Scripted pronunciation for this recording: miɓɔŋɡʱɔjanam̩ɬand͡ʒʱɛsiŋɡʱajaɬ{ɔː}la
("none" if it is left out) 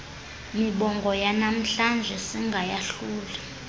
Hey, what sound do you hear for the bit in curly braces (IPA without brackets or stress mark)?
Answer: uː